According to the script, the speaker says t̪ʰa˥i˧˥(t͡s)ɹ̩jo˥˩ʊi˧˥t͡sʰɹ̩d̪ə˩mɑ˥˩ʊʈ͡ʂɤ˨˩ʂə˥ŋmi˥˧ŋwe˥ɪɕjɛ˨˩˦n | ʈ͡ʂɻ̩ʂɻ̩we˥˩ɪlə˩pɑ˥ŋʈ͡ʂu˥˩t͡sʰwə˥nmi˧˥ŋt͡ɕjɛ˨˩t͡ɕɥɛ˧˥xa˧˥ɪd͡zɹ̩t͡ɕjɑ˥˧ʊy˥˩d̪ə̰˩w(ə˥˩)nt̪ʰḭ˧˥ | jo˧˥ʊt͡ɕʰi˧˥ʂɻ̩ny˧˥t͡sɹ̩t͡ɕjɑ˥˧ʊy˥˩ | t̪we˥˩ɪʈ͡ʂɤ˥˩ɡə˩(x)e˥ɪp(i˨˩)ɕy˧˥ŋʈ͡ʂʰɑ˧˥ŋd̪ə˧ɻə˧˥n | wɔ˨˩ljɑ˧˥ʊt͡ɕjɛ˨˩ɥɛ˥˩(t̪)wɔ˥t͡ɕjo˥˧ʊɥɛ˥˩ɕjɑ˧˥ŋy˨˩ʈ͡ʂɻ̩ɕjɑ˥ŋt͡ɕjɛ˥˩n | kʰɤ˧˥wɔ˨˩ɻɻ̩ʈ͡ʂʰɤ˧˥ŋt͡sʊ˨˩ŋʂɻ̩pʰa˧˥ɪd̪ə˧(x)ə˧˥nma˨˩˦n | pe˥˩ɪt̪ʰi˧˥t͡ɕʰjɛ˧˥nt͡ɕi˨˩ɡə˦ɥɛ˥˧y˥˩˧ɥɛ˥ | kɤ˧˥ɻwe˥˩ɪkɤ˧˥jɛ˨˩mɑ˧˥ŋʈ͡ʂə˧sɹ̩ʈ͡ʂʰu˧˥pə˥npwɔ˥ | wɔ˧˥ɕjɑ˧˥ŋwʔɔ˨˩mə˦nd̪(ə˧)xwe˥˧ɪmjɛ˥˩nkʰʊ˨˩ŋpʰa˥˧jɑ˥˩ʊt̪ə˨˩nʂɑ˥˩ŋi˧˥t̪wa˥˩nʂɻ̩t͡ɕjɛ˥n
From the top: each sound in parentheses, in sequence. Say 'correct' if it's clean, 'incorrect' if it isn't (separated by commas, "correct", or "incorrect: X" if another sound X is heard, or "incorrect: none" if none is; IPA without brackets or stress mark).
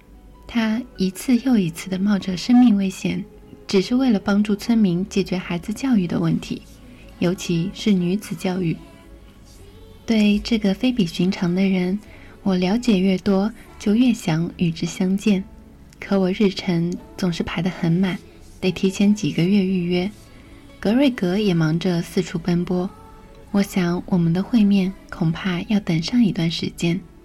incorrect: t͡sʰ, correct, incorrect: f, correct, correct, correct, correct